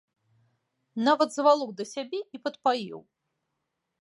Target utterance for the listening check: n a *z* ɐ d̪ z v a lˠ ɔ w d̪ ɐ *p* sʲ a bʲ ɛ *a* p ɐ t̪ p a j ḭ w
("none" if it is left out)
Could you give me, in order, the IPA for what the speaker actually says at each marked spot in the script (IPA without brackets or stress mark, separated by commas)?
v, none, i